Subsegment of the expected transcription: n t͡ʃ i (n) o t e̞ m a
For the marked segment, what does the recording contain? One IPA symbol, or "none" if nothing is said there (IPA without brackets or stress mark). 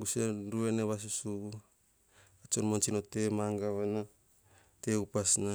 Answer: n